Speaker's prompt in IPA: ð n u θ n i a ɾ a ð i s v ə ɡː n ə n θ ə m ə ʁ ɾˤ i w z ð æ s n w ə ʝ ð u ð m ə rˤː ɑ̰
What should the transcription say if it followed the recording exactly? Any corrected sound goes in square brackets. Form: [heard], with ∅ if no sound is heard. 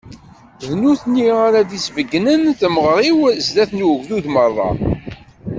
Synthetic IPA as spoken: ð n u θ n i a ɾ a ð i s v ə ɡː n ə n θ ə m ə ʁ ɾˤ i w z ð æ [θ] n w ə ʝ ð u ð m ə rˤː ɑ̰